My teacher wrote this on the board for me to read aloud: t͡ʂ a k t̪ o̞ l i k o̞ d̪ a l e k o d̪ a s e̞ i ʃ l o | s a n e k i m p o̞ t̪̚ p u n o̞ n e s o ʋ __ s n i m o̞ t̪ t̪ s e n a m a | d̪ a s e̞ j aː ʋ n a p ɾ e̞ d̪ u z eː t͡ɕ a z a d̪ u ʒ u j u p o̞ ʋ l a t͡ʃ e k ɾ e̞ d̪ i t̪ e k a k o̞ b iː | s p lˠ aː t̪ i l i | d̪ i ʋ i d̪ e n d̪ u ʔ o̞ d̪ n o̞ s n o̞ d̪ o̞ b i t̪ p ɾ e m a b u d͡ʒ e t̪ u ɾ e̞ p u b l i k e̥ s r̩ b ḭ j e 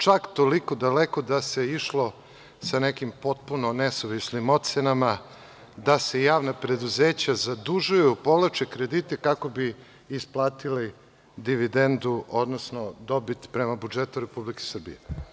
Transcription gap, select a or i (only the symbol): i